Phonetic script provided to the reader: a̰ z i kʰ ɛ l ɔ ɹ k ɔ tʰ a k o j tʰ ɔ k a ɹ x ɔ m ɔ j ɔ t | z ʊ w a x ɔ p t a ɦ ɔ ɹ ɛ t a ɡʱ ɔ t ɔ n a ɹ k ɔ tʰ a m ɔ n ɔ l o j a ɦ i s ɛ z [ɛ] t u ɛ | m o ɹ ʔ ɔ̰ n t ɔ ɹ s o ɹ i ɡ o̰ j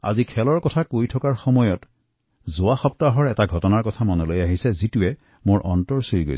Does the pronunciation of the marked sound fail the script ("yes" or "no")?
yes